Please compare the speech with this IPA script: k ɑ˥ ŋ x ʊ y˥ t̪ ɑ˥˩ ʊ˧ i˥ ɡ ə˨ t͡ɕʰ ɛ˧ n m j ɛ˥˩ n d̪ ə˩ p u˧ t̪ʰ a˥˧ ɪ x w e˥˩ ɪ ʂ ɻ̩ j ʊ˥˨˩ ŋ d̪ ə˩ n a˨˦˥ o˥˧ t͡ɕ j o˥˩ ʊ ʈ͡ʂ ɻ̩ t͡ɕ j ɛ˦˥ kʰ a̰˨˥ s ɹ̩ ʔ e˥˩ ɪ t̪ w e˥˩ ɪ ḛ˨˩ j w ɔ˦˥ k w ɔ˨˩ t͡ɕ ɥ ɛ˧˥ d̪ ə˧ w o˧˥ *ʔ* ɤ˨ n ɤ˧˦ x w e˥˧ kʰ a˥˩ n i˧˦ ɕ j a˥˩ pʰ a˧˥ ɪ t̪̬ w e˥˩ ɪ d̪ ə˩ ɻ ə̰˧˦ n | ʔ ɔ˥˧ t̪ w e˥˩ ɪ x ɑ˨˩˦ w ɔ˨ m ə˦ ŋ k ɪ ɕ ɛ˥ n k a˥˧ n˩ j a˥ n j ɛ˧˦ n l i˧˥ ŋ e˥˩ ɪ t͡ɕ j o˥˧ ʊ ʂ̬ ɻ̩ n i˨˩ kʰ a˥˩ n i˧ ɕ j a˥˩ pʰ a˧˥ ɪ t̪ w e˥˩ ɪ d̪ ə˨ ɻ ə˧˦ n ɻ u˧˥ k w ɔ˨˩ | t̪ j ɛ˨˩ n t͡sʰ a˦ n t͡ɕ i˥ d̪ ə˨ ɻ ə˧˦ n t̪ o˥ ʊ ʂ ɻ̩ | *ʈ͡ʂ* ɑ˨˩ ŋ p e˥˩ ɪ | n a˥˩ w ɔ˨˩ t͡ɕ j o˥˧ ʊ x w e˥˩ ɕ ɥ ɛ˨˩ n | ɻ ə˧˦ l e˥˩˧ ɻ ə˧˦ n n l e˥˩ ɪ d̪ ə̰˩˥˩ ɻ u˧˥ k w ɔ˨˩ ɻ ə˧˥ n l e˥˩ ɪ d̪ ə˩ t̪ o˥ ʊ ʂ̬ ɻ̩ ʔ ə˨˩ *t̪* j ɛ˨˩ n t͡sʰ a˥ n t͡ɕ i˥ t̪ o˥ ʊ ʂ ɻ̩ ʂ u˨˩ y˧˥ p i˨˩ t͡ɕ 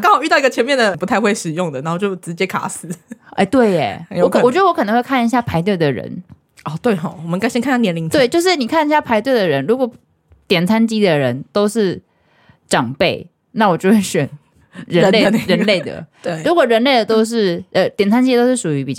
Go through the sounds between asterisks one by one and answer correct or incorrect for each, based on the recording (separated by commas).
incorrect, correct, correct